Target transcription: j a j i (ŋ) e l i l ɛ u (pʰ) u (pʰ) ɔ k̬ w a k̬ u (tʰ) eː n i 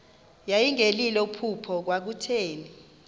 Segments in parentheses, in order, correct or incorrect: correct, correct, correct, correct

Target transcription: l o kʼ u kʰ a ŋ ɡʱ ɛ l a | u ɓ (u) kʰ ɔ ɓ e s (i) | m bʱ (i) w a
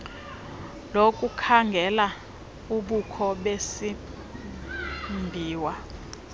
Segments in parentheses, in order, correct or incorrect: correct, correct, incorrect: iː

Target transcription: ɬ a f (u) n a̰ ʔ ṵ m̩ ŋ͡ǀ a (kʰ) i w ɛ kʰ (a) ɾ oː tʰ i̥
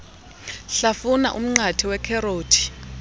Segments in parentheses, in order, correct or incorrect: correct, incorrect: tʰ, incorrect: ɛ

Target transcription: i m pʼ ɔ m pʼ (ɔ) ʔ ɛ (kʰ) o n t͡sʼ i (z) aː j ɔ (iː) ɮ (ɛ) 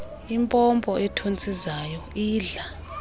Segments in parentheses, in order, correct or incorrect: correct, incorrect: tʰ, correct, correct, incorrect: a

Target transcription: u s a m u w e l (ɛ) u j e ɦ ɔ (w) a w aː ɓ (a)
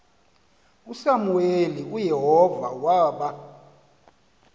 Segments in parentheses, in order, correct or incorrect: incorrect: i, incorrect: v, correct

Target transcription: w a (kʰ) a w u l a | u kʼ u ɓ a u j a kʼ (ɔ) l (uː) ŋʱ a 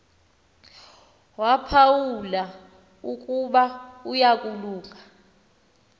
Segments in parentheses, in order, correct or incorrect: incorrect: pʰ, incorrect: u, correct

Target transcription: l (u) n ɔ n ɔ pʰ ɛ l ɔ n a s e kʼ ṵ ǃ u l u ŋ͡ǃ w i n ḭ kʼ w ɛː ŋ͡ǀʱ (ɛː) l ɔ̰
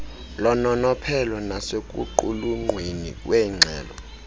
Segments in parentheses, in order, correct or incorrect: incorrect: ɔ, correct

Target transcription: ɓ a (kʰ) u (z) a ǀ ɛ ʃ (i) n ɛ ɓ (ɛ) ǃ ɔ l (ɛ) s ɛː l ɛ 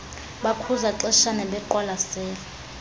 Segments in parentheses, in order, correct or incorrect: correct, correct, incorrect: a, correct, incorrect: a

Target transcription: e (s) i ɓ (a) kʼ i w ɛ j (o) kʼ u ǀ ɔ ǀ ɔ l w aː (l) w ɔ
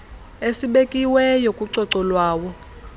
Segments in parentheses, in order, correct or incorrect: correct, incorrect: e, correct, incorrect: none

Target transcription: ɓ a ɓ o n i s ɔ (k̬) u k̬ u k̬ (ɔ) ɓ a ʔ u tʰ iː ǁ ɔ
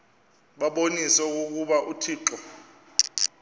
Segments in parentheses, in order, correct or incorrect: incorrect: none, incorrect: u

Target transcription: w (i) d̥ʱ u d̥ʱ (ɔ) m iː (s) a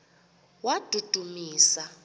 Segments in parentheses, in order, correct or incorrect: incorrect: a, incorrect: u, correct

